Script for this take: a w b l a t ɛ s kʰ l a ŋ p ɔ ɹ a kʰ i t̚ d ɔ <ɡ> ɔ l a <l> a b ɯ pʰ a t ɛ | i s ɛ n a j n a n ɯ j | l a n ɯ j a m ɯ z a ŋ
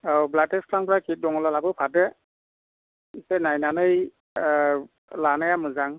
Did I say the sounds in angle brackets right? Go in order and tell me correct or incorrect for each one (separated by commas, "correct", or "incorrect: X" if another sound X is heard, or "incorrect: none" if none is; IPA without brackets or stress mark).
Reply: incorrect: ŋ, correct